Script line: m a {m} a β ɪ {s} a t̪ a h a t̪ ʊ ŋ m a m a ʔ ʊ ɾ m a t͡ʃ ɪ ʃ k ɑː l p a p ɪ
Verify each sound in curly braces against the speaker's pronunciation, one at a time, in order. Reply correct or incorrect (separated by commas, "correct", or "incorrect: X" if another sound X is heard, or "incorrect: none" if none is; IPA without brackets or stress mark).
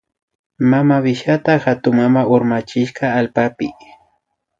correct, incorrect: ʃ